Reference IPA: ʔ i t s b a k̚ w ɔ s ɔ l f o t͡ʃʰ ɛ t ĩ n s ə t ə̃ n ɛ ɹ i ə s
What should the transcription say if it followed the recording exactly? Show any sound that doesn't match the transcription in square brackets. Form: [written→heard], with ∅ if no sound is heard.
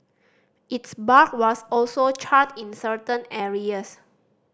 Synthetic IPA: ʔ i t s b a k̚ w ɔ s ɔ l [f→s] o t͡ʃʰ [ɛ→a] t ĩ n s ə t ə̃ n ɛ ɹ i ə s